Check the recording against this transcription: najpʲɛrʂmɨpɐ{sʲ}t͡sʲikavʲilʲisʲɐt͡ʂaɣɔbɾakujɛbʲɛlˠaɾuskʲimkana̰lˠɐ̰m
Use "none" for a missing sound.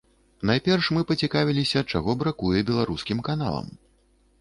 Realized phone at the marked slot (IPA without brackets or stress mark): none